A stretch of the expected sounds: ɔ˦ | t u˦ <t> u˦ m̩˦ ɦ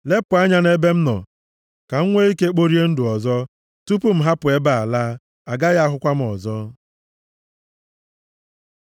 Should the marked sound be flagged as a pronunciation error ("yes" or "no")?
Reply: yes